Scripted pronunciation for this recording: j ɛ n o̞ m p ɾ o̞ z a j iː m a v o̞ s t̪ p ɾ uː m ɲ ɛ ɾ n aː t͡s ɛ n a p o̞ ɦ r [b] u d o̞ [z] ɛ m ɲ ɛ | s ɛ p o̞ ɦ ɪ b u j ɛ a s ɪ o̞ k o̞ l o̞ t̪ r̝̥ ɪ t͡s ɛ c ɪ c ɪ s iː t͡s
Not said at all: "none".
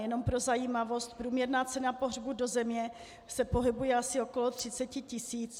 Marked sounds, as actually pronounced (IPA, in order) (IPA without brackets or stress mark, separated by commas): b, z